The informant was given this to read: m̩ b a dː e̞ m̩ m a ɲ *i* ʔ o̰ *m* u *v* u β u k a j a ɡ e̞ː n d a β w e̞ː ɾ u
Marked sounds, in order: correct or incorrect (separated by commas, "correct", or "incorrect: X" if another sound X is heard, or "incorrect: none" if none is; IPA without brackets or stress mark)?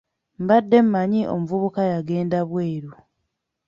correct, correct, correct